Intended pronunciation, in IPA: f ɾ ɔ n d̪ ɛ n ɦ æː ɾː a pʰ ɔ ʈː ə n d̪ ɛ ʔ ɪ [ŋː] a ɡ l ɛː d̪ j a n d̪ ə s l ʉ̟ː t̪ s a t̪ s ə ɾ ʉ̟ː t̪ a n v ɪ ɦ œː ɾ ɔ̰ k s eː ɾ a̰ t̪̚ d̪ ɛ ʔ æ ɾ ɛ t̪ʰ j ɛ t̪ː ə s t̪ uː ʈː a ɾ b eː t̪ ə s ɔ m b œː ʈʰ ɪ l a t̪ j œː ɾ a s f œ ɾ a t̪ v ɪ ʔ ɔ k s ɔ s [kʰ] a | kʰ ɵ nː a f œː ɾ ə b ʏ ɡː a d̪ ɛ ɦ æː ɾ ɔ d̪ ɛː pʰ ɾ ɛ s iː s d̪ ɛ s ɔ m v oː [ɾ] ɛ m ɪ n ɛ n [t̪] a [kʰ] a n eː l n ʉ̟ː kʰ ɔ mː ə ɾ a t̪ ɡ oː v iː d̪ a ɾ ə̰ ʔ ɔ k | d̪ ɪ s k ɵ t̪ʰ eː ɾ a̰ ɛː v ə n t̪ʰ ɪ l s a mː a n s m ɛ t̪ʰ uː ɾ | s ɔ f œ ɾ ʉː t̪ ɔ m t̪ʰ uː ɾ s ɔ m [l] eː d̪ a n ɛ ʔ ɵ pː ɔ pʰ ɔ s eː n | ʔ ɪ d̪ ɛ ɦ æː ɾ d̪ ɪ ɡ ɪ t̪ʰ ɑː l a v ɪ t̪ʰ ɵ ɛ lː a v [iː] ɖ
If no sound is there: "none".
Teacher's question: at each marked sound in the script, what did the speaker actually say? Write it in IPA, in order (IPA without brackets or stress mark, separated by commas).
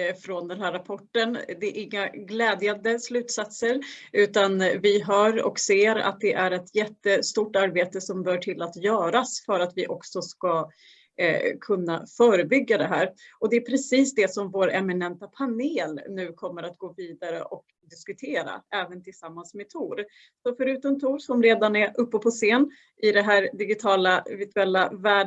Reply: ŋː, k, ɾ, t̪, pʰ, ɾ, æː